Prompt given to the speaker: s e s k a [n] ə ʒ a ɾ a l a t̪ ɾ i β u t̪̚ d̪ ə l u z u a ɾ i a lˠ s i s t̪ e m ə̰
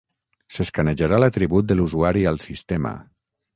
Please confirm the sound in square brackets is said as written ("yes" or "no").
yes